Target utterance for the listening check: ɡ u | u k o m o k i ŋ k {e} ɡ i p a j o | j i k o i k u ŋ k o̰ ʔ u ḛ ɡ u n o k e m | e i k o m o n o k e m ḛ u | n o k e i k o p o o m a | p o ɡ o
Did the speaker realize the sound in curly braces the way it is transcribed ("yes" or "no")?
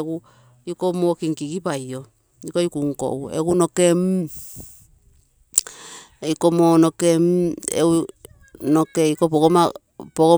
no